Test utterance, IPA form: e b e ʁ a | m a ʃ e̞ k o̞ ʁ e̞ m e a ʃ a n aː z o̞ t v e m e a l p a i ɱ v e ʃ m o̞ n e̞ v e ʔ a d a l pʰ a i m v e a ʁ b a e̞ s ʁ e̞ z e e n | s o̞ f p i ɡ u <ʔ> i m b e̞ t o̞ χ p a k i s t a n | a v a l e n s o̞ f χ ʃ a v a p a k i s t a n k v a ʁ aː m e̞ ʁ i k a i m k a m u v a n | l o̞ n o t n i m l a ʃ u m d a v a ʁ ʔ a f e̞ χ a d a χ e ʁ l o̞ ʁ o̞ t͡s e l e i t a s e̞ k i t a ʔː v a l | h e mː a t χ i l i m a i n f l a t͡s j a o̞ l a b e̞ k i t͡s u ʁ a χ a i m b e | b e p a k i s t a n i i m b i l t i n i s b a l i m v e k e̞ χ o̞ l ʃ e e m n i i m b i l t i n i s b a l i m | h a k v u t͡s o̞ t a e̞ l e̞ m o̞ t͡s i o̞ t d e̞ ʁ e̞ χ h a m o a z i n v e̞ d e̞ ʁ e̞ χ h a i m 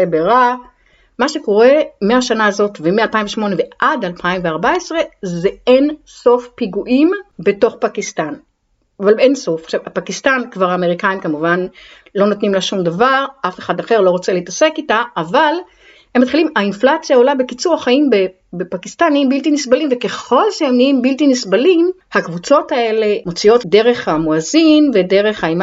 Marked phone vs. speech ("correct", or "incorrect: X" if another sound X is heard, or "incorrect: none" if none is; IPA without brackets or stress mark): correct